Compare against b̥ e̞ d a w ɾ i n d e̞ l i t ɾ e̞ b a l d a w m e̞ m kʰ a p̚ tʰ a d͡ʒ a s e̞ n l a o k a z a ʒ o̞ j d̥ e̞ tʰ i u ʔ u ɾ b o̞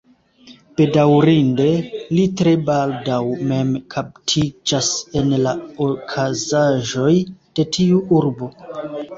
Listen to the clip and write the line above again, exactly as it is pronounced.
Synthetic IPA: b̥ e̞ d a w ɾ i n d e̞ l i t ɾ e̞ b a l d a w m e̞ m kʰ a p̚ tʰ i d͡ʒ a s e̞ n l a o kʰ a z a ʒ o̞ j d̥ e̞ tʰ i u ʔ u ɾ b o̞